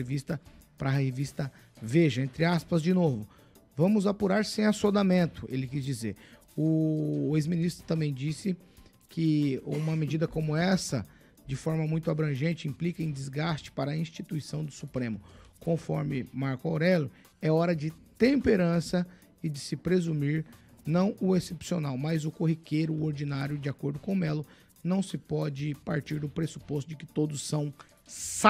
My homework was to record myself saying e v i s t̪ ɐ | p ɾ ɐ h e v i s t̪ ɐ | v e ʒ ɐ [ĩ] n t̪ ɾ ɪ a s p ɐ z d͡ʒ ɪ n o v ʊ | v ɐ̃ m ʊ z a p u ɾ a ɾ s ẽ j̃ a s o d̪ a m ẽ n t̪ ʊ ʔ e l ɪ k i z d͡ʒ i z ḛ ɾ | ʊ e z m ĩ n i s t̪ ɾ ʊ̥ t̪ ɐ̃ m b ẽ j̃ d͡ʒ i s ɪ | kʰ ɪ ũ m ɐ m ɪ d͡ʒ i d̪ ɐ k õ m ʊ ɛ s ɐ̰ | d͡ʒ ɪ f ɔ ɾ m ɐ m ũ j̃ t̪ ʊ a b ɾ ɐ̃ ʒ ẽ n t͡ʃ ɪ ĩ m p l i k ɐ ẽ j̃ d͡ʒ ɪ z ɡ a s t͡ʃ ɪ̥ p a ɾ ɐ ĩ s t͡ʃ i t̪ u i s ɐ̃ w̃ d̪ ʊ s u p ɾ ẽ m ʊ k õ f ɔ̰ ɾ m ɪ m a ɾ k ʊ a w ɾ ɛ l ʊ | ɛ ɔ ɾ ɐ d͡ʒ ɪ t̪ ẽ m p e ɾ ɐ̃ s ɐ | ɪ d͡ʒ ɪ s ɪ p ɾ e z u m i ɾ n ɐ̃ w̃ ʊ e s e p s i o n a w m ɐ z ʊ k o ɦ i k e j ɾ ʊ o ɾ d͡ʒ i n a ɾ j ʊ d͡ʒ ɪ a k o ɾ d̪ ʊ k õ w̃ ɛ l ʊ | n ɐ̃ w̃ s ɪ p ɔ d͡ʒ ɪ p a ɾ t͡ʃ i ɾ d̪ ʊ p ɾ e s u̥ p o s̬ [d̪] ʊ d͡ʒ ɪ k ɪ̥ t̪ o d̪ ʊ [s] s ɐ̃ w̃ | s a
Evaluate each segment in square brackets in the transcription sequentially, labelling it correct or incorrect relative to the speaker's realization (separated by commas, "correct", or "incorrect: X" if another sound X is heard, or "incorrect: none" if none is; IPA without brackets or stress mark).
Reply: incorrect: ẽ, incorrect: t̪, correct